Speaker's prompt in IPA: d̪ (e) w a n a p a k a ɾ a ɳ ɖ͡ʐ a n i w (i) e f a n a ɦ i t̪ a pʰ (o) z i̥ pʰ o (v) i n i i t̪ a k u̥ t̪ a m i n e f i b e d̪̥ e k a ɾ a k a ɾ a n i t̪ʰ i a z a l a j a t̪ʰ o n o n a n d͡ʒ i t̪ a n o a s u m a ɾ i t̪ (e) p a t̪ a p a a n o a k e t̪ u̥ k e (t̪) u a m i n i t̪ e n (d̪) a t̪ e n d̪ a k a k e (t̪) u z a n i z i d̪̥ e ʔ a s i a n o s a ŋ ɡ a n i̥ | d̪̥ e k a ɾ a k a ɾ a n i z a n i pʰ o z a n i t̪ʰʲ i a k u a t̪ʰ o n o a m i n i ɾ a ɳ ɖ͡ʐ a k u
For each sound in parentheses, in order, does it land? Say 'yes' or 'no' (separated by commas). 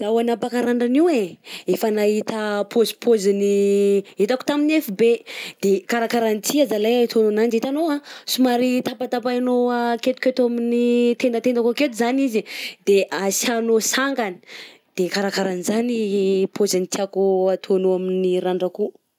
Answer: no, no, yes, no, no, yes, yes, yes